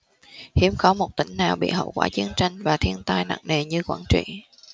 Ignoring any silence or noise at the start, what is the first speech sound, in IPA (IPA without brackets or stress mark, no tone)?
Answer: h